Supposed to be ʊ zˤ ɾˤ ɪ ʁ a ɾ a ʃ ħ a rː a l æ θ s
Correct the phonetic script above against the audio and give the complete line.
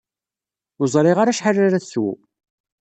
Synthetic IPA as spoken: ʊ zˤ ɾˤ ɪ ʁ a ɾ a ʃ ħ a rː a ɾ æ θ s